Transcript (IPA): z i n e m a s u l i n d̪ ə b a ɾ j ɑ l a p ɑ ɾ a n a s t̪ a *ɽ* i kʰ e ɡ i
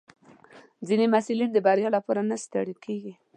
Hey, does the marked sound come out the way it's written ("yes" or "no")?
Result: yes